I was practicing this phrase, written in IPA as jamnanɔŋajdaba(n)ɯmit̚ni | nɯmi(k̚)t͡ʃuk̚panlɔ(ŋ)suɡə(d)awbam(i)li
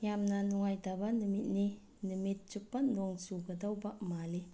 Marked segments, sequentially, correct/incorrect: correct, incorrect: t̚, correct, correct, incorrect: a

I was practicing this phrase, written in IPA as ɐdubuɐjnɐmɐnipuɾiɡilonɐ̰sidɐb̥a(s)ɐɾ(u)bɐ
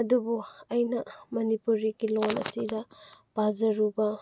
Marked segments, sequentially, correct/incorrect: incorrect: z, correct

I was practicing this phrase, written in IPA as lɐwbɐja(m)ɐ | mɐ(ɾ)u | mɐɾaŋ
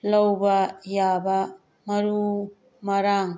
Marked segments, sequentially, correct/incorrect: incorrect: b, correct

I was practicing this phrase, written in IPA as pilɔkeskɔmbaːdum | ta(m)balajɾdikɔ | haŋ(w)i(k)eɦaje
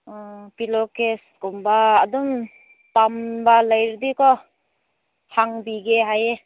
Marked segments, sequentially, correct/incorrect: correct, incorrect: b, incorrect: ɡ

